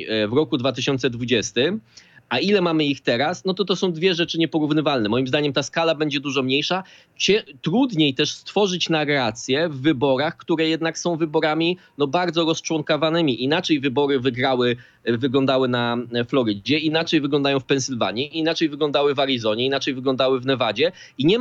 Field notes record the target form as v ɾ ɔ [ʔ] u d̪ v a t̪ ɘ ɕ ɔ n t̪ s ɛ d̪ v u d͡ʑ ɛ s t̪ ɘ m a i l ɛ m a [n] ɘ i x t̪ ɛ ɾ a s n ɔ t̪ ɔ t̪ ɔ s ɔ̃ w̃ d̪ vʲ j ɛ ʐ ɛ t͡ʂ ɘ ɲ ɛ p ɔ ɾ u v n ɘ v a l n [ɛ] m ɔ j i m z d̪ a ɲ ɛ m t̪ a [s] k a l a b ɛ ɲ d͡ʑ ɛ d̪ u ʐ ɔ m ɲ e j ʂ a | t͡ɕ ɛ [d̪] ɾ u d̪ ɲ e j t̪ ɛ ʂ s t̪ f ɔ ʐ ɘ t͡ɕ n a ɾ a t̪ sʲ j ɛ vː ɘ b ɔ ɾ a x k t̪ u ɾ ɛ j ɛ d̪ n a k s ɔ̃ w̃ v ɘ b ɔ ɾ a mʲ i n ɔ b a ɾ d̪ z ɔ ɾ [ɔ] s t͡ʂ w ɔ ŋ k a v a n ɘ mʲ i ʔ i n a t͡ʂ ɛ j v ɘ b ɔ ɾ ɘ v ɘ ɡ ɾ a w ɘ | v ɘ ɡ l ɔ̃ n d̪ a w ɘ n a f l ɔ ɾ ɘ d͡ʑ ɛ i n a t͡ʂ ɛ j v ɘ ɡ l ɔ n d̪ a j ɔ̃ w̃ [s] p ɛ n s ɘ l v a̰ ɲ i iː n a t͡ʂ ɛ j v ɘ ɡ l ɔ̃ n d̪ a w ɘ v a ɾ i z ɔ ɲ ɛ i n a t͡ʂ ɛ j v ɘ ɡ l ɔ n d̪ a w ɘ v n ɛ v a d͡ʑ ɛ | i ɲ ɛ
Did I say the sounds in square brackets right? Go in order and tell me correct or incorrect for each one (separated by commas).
incorrect, incorrect, correct, correct, incorrect, correct, incorrect